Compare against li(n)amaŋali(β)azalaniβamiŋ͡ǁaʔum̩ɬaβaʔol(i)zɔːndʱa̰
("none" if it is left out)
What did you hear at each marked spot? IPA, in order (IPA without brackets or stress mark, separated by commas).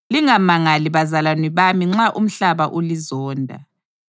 ŋ, β, i